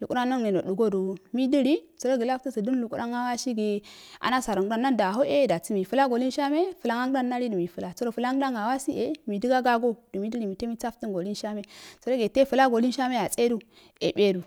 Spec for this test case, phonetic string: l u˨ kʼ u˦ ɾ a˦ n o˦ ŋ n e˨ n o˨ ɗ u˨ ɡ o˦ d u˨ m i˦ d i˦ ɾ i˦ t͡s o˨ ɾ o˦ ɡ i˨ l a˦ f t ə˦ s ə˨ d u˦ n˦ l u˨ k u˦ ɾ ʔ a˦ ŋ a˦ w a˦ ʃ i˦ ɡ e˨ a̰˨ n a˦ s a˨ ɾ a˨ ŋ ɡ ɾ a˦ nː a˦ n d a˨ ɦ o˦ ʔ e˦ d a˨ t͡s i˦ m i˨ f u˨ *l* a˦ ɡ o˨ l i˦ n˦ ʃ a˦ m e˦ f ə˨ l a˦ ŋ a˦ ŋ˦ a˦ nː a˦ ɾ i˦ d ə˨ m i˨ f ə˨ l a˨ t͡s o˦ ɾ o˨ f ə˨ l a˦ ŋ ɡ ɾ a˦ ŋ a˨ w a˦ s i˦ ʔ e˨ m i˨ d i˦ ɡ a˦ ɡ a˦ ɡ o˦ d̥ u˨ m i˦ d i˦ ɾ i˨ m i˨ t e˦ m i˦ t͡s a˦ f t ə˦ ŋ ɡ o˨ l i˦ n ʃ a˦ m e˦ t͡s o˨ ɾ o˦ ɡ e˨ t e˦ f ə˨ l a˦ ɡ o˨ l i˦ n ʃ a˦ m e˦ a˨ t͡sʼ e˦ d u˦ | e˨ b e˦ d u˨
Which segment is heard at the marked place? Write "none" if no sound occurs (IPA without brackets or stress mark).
l